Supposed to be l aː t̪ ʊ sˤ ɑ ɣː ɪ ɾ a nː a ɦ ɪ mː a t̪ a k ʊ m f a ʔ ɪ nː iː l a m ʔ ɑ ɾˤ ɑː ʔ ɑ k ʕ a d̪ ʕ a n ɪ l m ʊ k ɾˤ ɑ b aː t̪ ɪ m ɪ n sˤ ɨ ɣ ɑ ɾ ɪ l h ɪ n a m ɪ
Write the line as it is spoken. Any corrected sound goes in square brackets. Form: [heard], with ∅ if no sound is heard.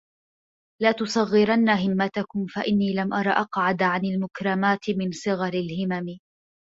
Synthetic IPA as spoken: l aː t̪ ʊ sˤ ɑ ɣː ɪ ɾ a nː a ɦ ɪ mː a t̪ a k ʊ m f a ʔ ɪ nː iː l a m ʔ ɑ ɾˤ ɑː ʔ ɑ [q] ʕ a d̪ ʕ a n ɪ l m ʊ k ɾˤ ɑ [m] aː t̪ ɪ m ɪ n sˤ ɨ ɣ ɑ ɾ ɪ l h ɪ [m] a m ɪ

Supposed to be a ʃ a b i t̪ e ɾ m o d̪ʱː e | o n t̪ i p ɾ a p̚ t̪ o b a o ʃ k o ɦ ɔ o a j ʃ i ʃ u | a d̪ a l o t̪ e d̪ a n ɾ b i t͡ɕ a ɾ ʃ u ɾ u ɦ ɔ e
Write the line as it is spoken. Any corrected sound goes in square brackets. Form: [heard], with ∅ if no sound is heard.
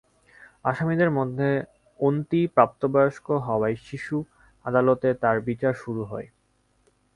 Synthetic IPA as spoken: a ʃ a [m] i [d̪] e ɾ m o d̪ʱː e | o n t̪ i p ɾ a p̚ t̪ o b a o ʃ k o ɦ ɔ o a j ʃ i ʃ u | a d̪ a l o t̪ e [t̪] a [∅] ɾ b i t͡ɕ a ɾ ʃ u ɾ u ɦ ɔ e

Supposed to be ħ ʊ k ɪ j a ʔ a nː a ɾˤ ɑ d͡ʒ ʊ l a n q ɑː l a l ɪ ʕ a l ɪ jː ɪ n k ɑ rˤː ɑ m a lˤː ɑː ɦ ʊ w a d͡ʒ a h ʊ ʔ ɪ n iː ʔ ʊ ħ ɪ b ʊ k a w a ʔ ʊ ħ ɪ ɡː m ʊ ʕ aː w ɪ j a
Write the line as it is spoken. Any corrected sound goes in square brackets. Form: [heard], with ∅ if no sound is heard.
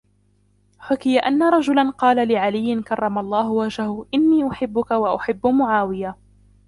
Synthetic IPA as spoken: ħ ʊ k ɪ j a ʔ a nː a ɾˤ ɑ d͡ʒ ʊ l a n q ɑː l a l ɪ ʕ a l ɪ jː ɪ n k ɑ rˤː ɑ m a lˤː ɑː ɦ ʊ w a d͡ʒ a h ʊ ʔ ɪ [nː] iː ʔ ʊ ħ ɪ [bː] ʊ k a w a ʔ ʊ ħ ɪ [bː] m ʊ ʕ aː w ɪ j a

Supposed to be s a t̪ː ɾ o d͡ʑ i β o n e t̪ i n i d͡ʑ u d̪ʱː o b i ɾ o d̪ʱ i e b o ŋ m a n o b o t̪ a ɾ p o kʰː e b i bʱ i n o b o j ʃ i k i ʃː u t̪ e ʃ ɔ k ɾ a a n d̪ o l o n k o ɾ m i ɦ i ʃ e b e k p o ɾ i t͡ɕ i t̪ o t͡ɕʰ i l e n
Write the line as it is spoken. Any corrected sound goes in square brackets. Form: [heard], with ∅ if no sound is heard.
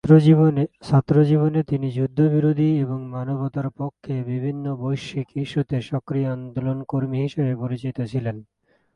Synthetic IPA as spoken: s a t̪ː ɾ o d͡ʑ i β o n e t̪ i n i d͡ʑ u d̪ʱː o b i ɾ o d̪ʱ i e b o ŋ m a n o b o t̪ a ɾ p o kʰː e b i bʱ i [nː] o b o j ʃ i k i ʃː u t̪ e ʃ ɔ k ɾ [i] a n d̪ o l o n k o ɾ m i ɦ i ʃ e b e [∅] p o ɾ i t͡ɕ i t̪ o t͡ɕʰ i l e n

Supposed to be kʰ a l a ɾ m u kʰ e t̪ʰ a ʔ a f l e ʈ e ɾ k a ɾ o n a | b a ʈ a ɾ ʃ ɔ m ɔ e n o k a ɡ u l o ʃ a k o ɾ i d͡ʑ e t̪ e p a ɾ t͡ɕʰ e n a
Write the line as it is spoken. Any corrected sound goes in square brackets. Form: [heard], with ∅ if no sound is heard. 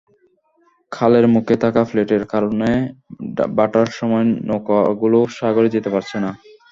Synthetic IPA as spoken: kʰ a l [e] ɾ m u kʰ e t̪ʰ a [k] a f l e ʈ e ɾ k a ɾ o n [e] | b a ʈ a ɾ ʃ ɔ m ɔ e n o k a ɡ u l o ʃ a [ɡ] o ɾ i d͡ʑ e t̪ e p a ɾ t͡ɕʰ e n a

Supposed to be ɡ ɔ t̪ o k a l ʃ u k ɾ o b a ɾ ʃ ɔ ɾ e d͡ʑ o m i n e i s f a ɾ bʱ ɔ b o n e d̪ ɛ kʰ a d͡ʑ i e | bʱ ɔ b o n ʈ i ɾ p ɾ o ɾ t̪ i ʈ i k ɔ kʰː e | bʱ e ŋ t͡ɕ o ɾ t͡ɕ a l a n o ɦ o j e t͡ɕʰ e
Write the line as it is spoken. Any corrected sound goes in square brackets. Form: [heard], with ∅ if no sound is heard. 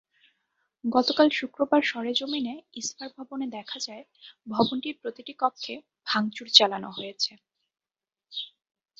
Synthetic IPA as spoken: ɡ ɔ t̪ o k a l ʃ u k ɾ o b a ɾ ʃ ɔ ɾ e d͡ʑ o m i n e i s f a ɾ bʱ ɔ b o n e d̪ ɛ kʰ a d͡ʑ [a] e | bʱ ɔ b o n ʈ i ɾ p ɾ o [∅] t̪ i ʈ i k ɔ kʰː e | bʱ [a] ŋ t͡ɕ [u] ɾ t͡ɕ a l a n o ɦ o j e t͡ɕʰ e

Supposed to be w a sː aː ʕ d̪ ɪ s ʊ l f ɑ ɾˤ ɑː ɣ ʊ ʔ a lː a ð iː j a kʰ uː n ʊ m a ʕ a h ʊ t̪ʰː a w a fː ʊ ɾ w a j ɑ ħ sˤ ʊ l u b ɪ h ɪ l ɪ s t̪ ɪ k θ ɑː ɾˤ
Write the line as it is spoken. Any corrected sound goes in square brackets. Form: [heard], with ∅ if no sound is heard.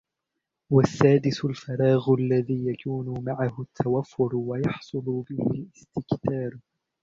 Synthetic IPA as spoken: w a sː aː [∅] d̪ ɪ s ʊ l f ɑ ɾˤ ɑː ɣ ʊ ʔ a lː a ð iː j a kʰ uː n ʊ m a ʕ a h ʊ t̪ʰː a w a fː ʊ ɾ w a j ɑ ħ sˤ ʊ l [ʊ] b ɪ h ɪ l ɪ s t̪ ɪ k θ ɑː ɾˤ

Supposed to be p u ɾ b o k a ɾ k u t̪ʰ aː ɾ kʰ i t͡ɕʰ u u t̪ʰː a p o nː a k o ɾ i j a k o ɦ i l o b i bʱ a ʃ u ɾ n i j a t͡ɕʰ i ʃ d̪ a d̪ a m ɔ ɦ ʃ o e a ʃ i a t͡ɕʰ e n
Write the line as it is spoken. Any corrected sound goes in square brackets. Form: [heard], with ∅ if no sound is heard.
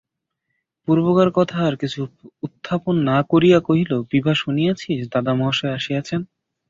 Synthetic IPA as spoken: p u ɾ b o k a ɾ k [ɔ] t̪ʰ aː ɾ [k] i t͡ɕʰ u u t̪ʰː a p o nː a k o ɾ i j a k o ɦ i l o b i bʱ a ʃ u [∅] n i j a t͡ɕʰ i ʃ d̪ a d̪ a m ɔ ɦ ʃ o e a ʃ i a t͡ɕʰ e n

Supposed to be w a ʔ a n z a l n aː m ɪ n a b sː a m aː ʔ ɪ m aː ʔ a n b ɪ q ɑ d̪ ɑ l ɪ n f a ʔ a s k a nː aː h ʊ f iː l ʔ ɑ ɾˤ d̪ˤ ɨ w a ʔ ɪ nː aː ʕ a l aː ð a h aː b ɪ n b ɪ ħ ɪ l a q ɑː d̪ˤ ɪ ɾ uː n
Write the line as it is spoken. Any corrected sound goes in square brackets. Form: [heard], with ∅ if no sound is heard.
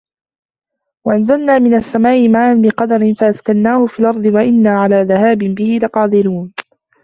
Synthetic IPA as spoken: w a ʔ a n z a l n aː m ɪ n a [∅] sː a m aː ʔ ɪ m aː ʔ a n b ɪ q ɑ d̪ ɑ [ɾ] ɪ n f a ʔ a s k a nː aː h ʊ f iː l ʔ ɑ ɾˤ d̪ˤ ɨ w a ʔ ɪ nː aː ʕ a l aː ð a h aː b ɪ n b ɪ [h] ɪ l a q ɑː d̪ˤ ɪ ɾ uː n

